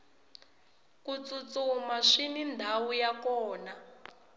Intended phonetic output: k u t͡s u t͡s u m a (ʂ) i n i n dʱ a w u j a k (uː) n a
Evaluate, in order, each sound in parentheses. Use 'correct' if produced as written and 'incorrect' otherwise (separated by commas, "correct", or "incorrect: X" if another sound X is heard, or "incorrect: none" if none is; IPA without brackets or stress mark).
correct, incorrect: ɔː